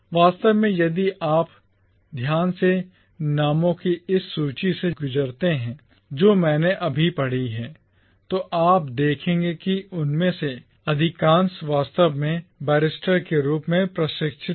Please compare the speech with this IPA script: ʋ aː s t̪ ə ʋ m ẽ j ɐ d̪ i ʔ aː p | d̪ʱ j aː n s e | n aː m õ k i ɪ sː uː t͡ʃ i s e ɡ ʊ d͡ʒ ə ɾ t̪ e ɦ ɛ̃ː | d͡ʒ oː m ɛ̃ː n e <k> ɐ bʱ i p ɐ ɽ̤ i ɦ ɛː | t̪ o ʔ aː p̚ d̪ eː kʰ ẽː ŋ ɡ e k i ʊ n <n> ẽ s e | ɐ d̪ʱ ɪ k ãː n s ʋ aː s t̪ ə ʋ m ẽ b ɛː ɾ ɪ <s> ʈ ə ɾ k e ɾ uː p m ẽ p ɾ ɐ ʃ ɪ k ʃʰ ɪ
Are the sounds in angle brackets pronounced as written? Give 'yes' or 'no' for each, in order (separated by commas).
no, no, yes